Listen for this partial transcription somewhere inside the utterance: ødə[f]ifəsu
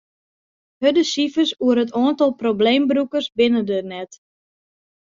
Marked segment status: incorrect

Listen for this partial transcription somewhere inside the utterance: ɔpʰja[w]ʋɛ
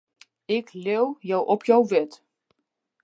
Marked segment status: correct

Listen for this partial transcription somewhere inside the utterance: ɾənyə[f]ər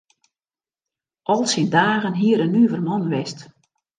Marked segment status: incorrect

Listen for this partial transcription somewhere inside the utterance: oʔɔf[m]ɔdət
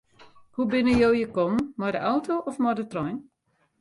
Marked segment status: correct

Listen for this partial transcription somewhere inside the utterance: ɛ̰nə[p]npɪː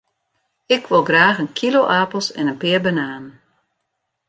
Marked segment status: incorrect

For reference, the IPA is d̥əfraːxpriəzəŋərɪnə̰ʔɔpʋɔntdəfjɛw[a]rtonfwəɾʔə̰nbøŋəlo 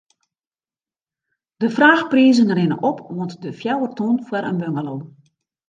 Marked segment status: incorrect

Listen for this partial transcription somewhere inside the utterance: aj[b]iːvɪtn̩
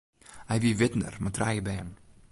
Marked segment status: incorrect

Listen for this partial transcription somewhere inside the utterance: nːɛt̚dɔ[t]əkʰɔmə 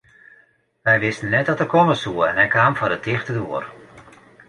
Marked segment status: correct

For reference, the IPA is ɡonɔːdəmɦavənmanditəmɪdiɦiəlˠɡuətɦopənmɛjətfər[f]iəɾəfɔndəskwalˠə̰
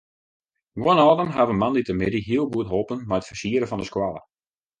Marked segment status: incorrect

